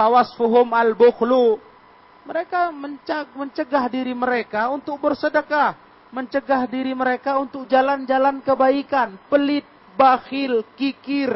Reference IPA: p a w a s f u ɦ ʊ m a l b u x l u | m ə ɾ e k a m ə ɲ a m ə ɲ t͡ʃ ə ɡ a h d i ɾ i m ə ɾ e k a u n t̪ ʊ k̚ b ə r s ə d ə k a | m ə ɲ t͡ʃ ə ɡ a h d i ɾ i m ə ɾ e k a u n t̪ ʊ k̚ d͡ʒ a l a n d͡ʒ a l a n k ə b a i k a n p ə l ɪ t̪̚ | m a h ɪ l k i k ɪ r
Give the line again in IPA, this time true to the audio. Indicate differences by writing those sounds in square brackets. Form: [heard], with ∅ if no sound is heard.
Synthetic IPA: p a w a s f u ɦ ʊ m a l b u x l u | m ə ɾ e k a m ə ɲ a m ə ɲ t͡ʃ ə ɡ a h d i ɾ i m ə ɾ e k a u n t̪ ʊ k̚ b ə r s ə d ə k a | m ə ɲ t͡ʃ ə ɡ a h d i ɾ i m ə ɾ e k a u n t̪ ʊ k̚ d͡ʒ a l a n d͡ʒ a l a n k ə b a i k a n p ə l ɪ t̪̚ | [b] a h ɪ l k i k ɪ r